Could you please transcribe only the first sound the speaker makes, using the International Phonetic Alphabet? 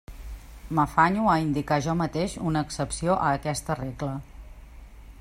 m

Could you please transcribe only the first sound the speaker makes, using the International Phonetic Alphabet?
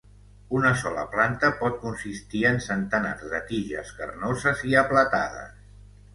u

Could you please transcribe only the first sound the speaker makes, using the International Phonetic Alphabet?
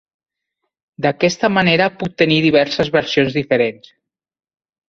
d̪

